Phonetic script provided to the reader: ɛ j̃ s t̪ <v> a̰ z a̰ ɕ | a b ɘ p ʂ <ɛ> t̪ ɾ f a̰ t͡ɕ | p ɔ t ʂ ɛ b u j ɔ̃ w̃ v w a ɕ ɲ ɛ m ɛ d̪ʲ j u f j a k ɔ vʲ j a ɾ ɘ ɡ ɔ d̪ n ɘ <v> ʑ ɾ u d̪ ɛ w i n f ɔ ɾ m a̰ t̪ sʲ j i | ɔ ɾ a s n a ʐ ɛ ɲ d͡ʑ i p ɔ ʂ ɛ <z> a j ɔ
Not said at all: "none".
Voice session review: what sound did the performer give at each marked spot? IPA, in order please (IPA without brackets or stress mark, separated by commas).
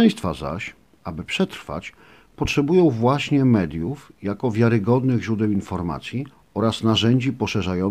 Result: f, ɛ, ɣ, ʐ